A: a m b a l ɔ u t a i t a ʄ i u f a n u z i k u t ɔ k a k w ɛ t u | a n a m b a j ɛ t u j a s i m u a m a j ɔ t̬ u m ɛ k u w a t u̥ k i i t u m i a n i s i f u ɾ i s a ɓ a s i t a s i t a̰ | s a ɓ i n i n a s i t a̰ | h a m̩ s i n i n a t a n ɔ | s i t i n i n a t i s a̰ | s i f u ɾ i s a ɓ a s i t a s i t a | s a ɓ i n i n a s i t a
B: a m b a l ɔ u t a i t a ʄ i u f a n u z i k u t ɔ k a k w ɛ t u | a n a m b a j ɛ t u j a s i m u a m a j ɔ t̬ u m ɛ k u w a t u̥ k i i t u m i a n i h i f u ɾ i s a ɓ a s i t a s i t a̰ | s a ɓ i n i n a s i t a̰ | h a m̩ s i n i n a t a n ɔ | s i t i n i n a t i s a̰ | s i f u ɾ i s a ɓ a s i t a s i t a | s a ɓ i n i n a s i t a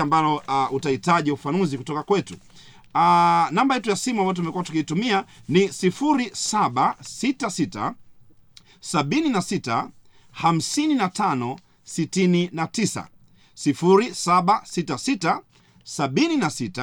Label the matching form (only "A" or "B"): A